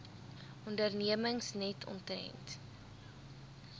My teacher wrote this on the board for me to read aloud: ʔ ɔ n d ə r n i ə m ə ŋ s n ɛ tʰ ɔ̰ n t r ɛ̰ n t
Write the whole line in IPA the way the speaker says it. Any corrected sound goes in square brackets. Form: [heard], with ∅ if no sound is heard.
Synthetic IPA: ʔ ɔ n d ə r n i ə m ə ŋ s n ɛ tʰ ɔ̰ n t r ɛ̰ n t